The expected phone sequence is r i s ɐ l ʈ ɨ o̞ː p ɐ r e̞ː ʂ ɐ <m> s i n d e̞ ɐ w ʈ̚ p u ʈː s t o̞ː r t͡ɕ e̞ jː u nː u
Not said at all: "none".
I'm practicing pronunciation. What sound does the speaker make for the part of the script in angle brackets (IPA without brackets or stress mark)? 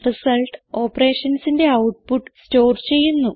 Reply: n